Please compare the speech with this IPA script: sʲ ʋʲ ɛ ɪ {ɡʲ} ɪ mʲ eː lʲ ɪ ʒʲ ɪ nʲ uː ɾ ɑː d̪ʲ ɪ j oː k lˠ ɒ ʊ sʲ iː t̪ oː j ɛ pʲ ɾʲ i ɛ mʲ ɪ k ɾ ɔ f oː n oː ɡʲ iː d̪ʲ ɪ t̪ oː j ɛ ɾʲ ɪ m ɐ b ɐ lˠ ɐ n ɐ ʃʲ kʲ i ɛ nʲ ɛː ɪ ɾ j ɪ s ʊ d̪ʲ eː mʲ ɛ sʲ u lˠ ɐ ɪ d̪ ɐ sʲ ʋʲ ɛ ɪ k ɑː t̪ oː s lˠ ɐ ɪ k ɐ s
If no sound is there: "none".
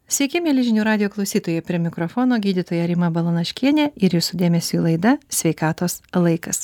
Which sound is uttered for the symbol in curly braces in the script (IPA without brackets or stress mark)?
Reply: kʲ